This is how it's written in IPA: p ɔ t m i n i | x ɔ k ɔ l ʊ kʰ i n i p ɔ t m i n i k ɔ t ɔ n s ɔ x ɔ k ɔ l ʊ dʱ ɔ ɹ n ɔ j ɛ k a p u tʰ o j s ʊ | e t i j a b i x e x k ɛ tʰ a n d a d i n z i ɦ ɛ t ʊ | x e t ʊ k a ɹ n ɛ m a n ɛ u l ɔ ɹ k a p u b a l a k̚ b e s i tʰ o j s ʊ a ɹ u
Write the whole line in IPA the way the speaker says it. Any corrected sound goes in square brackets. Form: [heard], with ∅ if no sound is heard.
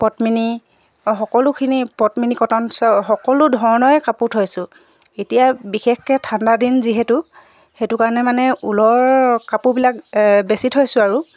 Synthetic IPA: p ɔ t m i n i | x ɔ k ɔ l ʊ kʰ i n i p ɔ t m i n i k ɔ t ɔ n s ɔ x ɔ k ɔ l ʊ dʱ ɔ ɹ n ɔ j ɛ k a p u tʰ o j s ʊ | e t i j a b i x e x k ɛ tʰ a n d a d i n z i ɦ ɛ t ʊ | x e t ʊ k a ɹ n ɛ m a n ɛ u l ɔ ɹ k a p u b [i] l a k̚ b e s i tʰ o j s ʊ a ɹ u